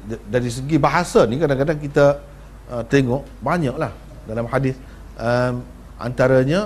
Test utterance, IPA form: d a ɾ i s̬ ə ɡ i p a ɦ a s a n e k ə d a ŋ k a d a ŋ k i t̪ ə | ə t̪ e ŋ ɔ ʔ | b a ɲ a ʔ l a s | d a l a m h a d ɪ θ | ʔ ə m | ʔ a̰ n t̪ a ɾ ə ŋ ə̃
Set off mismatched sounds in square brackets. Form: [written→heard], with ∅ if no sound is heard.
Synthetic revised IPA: d a ɾ i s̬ ə ɡ i [p→b] a ɦ a s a n [e→i] k [ə→a] d a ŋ k a d a ŋ k i t̪ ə | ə t̪ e ŋ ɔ ʔ | b a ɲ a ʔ l a [s→h] | d a l a m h a d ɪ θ | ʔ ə m | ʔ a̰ n t̪ a ɾ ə [ŋ→ɲ] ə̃